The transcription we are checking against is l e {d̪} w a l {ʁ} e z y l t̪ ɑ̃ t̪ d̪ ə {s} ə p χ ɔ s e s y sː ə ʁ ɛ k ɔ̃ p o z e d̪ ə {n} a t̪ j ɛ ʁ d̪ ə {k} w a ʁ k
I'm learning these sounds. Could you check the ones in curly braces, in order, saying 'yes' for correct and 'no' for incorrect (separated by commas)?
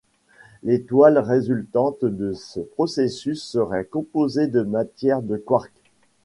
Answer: no, yes, yes, no, yes